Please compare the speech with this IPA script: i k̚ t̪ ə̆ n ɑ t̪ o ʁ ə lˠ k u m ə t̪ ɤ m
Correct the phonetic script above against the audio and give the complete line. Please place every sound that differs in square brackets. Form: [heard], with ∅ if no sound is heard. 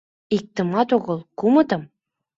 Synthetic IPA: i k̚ t̪ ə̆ [m] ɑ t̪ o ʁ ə lˠ k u m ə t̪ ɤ m